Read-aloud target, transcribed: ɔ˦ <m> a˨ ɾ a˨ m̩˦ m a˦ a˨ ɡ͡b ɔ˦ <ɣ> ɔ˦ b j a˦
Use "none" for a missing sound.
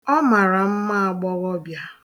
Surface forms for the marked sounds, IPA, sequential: m, ɣ

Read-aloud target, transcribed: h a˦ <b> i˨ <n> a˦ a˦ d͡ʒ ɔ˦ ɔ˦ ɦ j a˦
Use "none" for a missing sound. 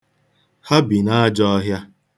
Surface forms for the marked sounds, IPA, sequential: b, n

